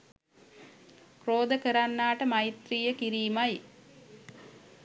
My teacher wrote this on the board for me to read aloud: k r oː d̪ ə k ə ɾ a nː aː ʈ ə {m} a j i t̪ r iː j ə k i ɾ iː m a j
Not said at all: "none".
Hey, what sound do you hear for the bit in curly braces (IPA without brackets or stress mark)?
m